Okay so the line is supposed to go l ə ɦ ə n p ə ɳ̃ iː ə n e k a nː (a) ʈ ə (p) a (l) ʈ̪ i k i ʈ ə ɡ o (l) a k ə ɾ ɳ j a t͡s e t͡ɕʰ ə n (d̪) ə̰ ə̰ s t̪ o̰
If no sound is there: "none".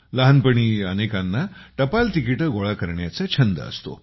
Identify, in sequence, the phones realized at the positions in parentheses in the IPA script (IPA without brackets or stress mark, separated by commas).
a, p, l, ɭ, d̪